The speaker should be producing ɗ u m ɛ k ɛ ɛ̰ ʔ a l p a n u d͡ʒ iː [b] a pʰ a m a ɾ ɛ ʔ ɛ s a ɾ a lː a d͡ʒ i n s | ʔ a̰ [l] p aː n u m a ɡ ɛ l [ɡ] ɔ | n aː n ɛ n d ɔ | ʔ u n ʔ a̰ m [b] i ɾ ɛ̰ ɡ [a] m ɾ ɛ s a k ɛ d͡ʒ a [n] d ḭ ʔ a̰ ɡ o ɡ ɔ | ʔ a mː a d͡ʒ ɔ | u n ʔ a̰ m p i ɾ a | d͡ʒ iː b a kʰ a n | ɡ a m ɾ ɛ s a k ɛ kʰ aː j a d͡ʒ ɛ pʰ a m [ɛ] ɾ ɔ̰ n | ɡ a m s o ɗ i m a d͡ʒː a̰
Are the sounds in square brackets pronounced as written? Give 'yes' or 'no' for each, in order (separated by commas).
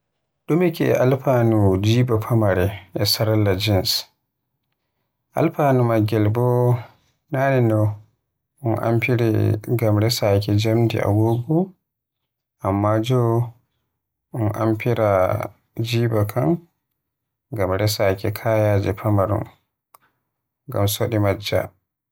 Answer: yes, yes, no, no, yes, no, no